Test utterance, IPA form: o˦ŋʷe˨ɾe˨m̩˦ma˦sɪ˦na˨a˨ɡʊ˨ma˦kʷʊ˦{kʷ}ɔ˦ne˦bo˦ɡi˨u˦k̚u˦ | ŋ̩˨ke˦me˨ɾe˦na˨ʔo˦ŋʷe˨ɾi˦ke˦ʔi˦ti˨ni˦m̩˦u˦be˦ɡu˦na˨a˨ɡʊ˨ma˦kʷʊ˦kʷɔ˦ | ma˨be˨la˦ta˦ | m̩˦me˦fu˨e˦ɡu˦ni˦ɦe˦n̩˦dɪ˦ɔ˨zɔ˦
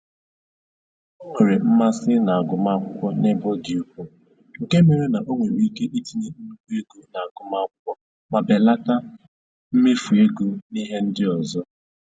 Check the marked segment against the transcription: correct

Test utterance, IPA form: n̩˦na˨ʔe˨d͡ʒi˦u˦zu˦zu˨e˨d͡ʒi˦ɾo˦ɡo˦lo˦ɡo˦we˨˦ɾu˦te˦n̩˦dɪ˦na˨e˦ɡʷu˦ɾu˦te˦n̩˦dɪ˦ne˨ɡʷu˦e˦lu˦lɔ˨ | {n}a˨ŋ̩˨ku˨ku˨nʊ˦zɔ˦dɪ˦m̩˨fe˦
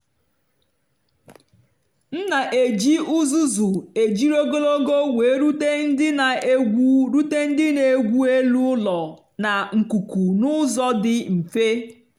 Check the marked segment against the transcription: correct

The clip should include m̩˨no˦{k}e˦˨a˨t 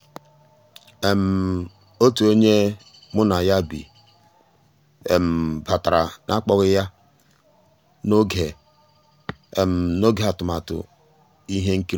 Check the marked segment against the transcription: incorrect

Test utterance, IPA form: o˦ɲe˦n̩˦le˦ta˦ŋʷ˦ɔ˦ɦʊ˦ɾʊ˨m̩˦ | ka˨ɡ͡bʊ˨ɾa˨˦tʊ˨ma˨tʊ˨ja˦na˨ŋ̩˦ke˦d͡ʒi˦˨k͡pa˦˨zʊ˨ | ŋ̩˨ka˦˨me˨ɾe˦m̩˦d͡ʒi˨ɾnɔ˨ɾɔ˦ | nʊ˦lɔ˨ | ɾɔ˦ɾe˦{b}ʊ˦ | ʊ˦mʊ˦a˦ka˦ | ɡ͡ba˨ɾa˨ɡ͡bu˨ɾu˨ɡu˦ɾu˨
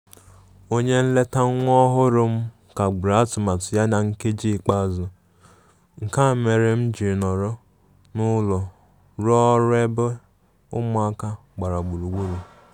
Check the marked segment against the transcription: correct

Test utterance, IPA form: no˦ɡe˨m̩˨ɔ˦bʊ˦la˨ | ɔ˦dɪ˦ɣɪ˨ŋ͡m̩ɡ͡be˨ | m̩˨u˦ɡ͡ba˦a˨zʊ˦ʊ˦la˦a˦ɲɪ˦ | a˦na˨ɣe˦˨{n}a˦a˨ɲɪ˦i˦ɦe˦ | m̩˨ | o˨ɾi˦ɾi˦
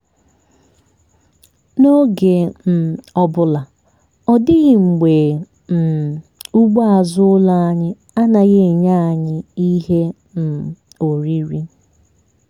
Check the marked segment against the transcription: incorrect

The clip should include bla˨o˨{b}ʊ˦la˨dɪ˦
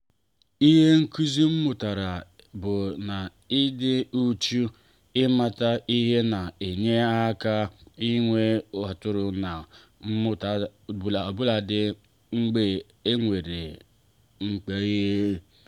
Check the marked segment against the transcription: correct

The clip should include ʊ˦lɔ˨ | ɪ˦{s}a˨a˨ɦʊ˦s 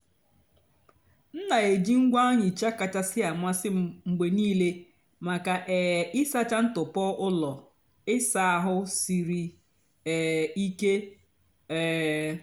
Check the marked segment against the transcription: correct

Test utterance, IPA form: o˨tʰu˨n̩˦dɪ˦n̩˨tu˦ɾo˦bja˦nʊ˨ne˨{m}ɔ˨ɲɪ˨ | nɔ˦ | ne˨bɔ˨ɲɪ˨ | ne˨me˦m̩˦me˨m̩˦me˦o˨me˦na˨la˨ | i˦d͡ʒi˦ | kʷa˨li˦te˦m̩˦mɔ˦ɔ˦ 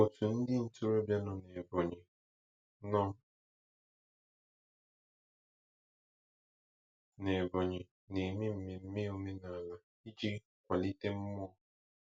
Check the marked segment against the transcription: incorrect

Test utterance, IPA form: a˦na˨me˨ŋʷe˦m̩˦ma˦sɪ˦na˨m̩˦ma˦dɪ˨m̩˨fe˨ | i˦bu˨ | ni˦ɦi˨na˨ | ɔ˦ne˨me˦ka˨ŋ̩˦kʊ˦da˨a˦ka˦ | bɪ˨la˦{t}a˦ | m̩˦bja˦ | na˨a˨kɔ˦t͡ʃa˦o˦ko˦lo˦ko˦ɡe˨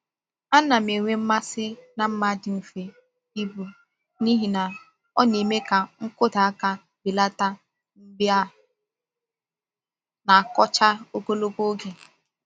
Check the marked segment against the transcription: correct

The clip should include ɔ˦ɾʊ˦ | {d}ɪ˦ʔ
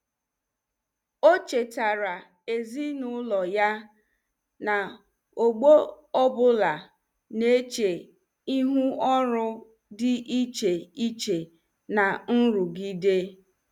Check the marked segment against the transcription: correct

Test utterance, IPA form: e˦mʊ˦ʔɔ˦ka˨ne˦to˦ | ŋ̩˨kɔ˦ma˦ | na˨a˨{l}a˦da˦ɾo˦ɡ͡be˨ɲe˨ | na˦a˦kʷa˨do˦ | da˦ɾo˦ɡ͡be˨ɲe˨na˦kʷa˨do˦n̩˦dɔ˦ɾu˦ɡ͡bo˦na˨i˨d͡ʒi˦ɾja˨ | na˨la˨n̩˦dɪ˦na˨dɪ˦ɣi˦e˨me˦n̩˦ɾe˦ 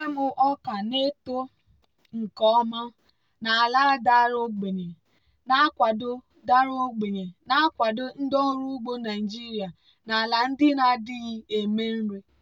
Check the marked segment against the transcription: correct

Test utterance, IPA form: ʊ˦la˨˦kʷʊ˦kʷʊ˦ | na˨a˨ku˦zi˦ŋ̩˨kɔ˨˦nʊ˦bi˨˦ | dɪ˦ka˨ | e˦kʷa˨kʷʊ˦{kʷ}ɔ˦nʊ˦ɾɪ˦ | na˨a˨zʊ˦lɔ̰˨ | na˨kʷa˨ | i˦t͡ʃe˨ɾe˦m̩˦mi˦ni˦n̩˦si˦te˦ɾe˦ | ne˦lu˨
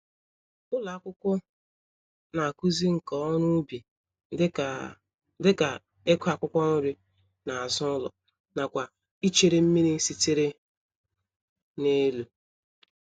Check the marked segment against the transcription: correct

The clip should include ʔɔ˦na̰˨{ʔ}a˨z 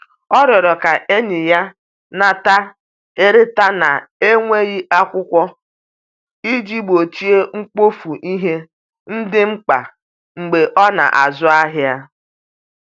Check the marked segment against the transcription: correct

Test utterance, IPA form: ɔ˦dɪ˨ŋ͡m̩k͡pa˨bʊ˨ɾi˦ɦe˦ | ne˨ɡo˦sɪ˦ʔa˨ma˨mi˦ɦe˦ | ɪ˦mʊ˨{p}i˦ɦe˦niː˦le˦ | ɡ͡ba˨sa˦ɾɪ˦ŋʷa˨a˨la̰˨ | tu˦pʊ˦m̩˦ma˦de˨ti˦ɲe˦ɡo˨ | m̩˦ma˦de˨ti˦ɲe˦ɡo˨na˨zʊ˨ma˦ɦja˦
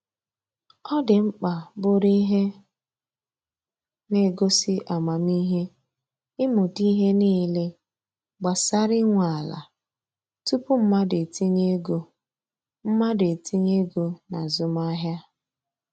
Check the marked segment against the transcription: incorrect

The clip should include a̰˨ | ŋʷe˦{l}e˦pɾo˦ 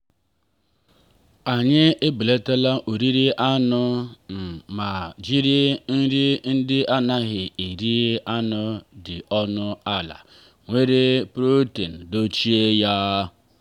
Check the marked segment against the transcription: incorrect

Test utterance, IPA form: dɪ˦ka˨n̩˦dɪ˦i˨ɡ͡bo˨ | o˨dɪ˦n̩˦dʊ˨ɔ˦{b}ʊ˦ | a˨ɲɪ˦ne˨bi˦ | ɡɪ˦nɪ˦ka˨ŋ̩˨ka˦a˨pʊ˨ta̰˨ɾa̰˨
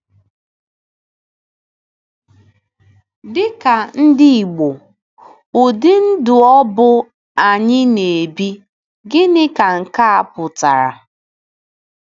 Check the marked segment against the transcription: correct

